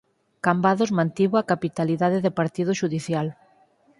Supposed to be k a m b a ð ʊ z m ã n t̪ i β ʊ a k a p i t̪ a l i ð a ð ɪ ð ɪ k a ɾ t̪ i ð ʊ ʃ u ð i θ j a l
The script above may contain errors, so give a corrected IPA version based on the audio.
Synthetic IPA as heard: k a m b a ð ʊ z m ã n t̪ i β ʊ a k a p i t̪ a l i ð a ð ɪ ð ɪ p a ɾ t̪ i ð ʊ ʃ u ð i θ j a l